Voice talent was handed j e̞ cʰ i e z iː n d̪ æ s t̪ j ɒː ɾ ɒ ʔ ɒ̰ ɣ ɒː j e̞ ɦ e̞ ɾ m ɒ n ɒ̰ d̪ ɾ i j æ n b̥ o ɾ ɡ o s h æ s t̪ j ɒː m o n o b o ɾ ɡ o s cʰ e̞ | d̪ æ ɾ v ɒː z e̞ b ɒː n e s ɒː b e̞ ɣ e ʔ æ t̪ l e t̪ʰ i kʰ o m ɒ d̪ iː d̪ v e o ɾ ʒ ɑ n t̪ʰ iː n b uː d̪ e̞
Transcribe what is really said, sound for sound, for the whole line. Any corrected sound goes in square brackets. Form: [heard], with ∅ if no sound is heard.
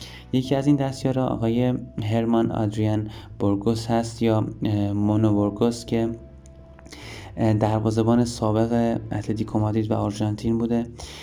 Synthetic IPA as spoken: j e̞ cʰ i [æ] z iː n d̪ æ s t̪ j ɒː ɾ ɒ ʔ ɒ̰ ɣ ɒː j e̞ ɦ e̞ ɾ m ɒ n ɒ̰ d̪ ɾ i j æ n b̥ o ɾ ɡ o s h æ s t̪ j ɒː m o n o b o ɾ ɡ o s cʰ e̞ | d̪ æ ɾ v ɒː z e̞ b ɒː n e s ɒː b e̞ ɣ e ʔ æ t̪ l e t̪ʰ i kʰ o m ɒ d̪ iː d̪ v [æ] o ɾ ʒ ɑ n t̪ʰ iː n b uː d̪ e̞